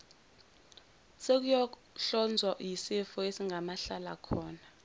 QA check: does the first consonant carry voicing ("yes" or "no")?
no